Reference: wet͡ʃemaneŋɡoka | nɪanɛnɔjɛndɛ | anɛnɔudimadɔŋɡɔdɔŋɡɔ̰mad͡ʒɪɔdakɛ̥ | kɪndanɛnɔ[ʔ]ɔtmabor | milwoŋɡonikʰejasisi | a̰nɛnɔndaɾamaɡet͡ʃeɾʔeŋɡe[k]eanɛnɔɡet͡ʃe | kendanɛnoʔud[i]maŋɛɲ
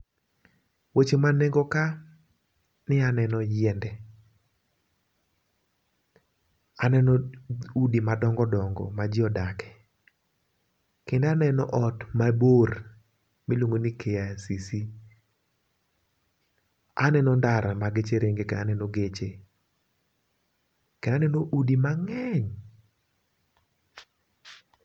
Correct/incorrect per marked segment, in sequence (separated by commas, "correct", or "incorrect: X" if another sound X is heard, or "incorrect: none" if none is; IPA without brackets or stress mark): correct, correct, correct